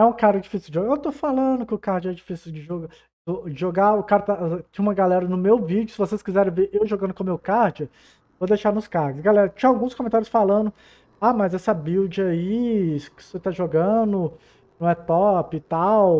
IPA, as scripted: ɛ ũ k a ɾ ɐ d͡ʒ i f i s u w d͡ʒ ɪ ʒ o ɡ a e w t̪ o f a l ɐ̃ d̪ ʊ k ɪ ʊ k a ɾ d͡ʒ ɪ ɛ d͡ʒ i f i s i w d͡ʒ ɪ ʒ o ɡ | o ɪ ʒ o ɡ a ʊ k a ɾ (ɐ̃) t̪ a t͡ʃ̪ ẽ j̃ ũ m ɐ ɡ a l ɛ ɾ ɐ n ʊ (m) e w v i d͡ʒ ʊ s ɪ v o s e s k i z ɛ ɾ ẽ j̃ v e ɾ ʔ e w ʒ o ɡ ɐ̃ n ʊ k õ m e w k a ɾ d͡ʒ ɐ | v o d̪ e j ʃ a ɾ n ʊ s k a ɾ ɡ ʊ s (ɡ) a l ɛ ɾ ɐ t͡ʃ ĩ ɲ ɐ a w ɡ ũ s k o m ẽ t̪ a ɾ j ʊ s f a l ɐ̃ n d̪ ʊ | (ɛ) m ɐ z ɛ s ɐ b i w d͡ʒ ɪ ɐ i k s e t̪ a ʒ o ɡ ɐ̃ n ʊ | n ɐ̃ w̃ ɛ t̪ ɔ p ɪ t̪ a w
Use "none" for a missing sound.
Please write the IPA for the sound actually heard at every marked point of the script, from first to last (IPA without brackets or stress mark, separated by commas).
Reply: ɐ, m, ɡ, a